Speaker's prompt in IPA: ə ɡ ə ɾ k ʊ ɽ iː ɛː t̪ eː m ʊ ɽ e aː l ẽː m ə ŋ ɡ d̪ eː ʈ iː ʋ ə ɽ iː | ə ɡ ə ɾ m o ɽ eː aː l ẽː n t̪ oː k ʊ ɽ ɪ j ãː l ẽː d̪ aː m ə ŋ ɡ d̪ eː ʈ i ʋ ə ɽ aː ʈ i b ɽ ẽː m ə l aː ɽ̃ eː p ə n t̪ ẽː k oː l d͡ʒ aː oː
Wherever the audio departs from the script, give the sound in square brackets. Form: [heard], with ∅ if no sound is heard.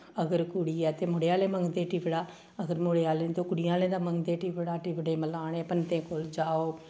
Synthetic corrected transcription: ə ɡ ə ɾ k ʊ ɽ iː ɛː t̪ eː m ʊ ɽ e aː l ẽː m ə ŋ ɡ d̪ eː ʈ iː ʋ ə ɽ [aː] | ə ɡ ə ɾ m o ɽ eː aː l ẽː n t̪ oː k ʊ ɽ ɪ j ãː l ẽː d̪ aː m ə ŋ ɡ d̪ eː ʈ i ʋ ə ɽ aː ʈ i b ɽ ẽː m ə l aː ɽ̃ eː p ə n t̪ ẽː k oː l d͡ʒ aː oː